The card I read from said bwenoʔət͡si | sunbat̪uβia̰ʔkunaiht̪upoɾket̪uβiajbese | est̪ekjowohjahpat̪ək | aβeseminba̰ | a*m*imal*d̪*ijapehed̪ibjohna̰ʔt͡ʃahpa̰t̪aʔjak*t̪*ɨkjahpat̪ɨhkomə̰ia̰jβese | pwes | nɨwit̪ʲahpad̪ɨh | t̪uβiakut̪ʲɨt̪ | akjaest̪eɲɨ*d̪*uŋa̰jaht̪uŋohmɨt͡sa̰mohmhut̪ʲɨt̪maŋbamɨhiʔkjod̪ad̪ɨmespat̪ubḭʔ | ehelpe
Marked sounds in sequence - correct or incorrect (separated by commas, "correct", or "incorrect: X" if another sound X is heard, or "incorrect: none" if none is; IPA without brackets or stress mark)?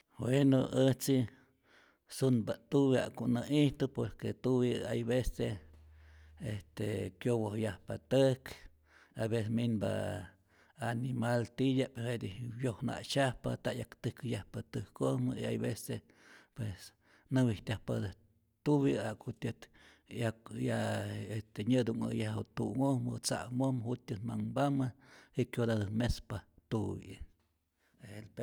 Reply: incorrect: n, incorrect: t̪, correct, correct